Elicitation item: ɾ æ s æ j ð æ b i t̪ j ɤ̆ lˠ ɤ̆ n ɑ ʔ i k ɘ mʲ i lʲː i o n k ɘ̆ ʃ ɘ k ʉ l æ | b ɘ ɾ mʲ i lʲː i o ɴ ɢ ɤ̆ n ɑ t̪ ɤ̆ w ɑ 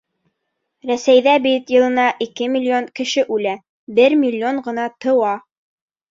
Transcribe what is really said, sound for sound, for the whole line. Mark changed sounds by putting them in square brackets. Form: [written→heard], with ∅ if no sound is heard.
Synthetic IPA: ɾ æ s æ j ð æ b i t̪ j ɤ̆ lˠ ɤ̆ n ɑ ʔ i k ɘ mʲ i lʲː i o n k ɘ̆ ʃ ɘ [k→ʔ] ʉ l æ | b ɘ ɾ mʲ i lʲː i o ɴ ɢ ɤ̆ n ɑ t̪ ɤ̆ w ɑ